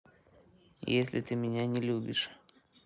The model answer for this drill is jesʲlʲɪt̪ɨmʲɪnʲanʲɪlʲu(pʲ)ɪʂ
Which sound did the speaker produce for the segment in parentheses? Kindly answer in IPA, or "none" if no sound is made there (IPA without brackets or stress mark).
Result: bʲ